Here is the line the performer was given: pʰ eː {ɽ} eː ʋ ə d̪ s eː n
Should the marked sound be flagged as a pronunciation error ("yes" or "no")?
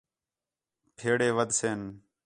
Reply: no